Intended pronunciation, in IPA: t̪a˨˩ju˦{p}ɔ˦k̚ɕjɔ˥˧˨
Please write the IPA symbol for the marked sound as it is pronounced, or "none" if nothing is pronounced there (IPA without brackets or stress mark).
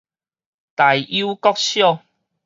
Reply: k